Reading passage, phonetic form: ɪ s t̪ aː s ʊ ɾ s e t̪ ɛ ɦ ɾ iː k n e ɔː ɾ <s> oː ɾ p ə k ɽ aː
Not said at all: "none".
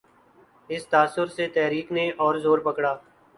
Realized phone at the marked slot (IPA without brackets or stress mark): z